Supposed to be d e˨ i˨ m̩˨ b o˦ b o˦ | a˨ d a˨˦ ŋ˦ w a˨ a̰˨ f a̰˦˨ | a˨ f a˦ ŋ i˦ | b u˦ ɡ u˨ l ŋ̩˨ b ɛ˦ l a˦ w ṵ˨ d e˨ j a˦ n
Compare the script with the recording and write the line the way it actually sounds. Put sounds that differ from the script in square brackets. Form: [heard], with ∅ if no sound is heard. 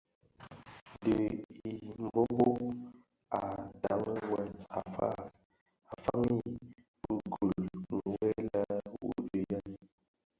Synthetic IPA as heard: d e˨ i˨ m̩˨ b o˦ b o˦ | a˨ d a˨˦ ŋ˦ w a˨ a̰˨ f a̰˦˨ | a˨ f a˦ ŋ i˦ | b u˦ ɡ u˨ l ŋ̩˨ [w] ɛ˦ l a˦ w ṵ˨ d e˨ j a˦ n